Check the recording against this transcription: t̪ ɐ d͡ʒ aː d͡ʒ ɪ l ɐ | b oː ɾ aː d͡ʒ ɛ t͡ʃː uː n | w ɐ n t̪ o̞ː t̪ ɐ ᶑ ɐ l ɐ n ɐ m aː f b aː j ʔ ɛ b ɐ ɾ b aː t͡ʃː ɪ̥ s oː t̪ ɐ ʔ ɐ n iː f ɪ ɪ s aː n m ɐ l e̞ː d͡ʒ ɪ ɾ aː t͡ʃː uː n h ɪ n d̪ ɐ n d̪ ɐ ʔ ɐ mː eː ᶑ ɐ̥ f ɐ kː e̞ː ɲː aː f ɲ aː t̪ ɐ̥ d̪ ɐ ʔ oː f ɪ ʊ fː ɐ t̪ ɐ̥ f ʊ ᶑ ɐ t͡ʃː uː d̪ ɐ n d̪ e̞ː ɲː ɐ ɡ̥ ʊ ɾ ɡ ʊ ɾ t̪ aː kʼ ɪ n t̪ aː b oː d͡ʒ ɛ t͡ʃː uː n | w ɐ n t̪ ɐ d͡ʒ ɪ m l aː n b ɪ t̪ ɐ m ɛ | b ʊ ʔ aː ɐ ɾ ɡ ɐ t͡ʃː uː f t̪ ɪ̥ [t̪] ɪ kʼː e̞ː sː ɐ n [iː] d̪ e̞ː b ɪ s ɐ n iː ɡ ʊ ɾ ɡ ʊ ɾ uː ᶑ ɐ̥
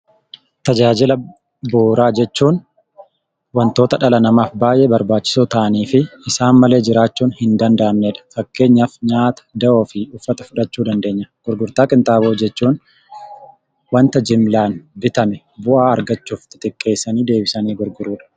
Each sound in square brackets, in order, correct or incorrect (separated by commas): correct, correct